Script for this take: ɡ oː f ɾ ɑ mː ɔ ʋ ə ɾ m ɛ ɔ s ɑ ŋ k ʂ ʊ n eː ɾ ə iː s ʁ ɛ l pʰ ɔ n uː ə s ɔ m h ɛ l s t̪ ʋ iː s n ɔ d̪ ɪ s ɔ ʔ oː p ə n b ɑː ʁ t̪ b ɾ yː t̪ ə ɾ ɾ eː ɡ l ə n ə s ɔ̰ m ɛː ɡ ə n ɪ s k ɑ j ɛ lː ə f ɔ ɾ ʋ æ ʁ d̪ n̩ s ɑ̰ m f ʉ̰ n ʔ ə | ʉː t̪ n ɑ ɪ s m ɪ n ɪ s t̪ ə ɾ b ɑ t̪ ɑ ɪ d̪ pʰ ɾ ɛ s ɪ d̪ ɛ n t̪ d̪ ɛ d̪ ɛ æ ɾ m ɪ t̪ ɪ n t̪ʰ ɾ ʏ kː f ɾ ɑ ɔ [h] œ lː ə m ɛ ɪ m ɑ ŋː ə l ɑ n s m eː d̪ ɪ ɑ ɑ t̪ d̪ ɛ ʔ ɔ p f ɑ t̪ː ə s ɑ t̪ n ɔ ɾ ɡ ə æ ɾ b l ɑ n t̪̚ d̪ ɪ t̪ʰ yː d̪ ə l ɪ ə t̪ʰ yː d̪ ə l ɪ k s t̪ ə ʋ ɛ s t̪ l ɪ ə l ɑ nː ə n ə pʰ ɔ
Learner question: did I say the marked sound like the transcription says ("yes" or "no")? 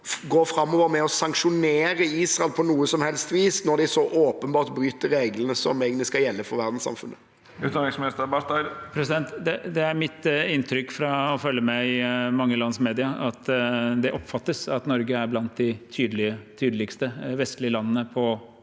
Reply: no